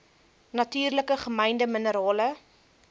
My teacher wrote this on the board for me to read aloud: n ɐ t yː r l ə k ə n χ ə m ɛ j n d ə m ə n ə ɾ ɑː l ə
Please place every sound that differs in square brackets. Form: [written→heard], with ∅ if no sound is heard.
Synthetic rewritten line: n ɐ t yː r l ə k ə [n→∅] χ ə m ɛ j n d ə m ə n ə ɾ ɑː l ə